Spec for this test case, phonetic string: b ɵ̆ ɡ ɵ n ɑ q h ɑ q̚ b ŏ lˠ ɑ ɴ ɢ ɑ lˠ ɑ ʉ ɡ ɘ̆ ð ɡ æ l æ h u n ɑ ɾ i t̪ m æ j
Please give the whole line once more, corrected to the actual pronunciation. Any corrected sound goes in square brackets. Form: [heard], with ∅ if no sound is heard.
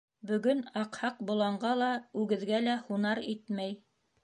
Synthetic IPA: b ɵ̆ ɡ ɵ n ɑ q h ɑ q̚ b ŏ lˠ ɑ ɴ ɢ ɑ lˠ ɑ ʉ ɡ ɘ̆ ð ɡ æ l æ h u n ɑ ɾ i t̪ m æ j